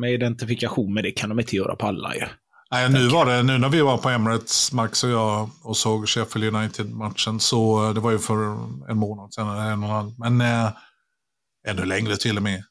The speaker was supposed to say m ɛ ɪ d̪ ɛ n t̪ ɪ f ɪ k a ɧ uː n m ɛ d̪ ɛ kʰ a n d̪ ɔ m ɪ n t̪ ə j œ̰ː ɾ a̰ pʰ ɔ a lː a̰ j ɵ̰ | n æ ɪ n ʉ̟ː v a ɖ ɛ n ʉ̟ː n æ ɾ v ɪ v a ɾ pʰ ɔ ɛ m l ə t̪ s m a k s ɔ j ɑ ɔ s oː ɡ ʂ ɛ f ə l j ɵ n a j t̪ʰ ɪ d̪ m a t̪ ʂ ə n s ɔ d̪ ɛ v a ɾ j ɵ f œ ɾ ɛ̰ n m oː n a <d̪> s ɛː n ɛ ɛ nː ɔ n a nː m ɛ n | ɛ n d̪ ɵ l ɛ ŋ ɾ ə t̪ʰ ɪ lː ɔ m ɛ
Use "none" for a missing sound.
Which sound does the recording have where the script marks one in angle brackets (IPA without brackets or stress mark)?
d̪